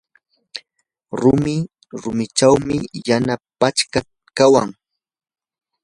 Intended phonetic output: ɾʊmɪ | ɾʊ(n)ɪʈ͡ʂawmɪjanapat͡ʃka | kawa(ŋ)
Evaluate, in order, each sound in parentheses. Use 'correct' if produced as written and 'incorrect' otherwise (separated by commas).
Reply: incorrect, correct